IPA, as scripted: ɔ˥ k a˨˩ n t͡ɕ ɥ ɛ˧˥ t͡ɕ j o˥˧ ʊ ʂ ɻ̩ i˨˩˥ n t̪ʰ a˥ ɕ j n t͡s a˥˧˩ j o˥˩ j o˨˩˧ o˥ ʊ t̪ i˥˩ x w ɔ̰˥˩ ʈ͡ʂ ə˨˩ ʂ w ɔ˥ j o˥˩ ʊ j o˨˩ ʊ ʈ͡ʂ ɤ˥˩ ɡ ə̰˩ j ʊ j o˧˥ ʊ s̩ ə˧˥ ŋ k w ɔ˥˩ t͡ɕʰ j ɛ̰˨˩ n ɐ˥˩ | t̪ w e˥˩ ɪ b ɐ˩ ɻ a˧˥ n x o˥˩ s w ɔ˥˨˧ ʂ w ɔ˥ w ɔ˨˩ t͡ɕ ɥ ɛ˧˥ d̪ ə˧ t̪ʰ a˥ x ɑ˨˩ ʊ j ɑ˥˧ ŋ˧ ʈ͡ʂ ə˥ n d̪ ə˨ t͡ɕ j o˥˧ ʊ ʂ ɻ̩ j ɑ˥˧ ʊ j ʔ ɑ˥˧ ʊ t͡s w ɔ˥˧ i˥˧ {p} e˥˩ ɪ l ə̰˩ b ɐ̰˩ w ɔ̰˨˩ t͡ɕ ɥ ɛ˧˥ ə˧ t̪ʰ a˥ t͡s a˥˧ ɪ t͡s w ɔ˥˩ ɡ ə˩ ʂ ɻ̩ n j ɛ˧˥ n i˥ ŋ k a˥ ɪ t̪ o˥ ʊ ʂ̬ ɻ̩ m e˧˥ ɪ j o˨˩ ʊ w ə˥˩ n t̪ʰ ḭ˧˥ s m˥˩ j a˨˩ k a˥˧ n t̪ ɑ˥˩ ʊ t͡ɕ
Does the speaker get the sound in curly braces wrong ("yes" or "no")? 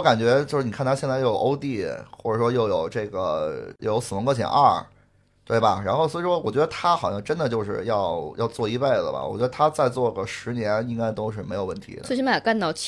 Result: no